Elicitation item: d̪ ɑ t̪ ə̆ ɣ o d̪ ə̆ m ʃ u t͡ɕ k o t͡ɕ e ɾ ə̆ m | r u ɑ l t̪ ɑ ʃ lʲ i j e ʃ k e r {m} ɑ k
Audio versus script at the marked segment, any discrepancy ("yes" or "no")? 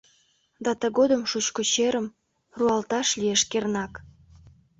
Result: yes